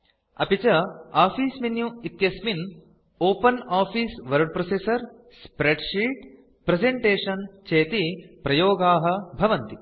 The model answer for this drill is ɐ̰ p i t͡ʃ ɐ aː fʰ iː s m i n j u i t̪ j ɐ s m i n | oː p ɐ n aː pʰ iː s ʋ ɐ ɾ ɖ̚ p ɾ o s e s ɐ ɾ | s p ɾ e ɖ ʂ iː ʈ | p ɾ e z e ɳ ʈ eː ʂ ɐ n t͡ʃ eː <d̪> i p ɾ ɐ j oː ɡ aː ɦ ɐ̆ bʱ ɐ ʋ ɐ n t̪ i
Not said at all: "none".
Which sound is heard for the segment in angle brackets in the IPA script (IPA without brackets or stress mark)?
t̪